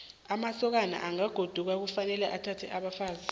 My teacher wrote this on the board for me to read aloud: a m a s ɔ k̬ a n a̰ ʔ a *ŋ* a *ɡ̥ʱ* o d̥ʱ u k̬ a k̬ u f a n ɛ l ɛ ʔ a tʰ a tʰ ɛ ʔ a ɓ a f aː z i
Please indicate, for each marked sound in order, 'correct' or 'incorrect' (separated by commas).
correct, correct